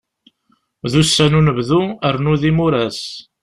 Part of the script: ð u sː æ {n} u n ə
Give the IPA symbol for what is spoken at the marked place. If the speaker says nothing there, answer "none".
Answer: n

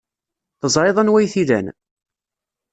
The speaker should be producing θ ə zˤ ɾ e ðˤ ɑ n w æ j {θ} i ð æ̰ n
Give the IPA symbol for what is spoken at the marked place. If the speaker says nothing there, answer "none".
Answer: θ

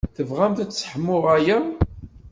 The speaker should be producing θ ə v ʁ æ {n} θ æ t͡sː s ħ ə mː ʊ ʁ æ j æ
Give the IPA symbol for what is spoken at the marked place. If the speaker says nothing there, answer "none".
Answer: m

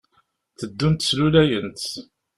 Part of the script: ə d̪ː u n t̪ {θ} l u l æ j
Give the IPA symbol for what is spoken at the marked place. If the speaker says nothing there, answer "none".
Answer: s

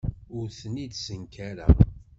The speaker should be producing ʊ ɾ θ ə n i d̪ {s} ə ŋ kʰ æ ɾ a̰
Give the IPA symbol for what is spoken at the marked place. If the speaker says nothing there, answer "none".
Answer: s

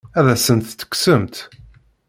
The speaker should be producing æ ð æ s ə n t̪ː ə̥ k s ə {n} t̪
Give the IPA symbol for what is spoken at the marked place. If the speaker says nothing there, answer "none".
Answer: m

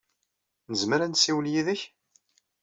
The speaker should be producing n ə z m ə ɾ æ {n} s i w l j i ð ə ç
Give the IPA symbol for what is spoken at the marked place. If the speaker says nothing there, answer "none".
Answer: n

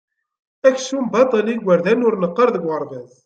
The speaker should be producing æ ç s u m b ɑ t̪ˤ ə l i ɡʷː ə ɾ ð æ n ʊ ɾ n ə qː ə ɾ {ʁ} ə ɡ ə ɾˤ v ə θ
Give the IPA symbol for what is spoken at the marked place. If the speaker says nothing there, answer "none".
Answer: ð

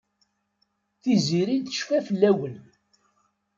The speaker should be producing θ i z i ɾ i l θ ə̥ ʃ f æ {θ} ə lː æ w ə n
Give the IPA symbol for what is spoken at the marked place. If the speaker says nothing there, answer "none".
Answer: f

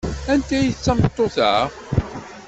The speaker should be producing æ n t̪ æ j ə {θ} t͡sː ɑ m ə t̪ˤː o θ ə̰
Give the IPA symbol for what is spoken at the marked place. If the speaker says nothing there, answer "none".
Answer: θ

